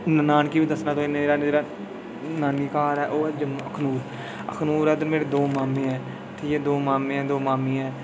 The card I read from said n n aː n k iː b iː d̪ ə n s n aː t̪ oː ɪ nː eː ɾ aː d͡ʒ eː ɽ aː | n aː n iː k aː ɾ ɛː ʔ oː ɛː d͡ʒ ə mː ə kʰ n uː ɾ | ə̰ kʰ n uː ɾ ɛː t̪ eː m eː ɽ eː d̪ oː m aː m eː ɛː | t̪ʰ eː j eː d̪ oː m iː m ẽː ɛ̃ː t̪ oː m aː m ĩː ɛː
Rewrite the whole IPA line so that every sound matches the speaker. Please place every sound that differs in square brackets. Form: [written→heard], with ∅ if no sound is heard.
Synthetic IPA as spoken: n n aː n k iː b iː d̪ ə [n→∅] s n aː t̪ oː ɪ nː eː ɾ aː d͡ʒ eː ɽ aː | n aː n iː k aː ɾ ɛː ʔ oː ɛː d͡ʒ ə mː ə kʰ n uː ɾ | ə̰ kʰ n uː ɾ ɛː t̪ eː m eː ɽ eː d̪ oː m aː m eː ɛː | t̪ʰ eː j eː d̪ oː m [iː→aː] m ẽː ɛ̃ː [t̪→d̪] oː m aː m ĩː ɛː